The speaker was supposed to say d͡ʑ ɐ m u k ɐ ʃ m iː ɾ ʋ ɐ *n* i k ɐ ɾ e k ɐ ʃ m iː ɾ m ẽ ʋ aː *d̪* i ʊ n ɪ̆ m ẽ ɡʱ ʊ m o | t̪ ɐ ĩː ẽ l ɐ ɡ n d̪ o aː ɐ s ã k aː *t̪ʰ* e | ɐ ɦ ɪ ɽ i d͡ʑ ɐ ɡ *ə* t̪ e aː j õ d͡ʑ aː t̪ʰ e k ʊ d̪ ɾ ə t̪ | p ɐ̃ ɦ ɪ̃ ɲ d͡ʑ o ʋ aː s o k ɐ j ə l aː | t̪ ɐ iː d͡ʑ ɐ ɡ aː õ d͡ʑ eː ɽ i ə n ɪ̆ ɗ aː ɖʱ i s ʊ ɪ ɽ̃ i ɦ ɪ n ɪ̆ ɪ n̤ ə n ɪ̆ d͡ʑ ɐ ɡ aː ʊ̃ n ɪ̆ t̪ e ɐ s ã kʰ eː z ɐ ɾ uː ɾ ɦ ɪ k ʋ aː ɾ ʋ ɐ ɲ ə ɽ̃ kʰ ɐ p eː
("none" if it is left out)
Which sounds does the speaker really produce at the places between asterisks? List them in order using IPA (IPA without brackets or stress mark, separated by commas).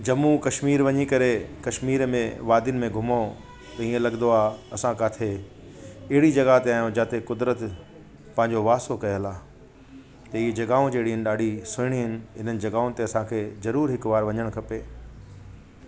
ɲ, d̪, t̪ʰ, a